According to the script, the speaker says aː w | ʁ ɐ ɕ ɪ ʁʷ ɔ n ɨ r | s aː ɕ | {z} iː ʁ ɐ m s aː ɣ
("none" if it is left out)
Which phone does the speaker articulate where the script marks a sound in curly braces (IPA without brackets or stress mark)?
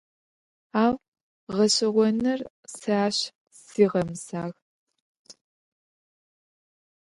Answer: s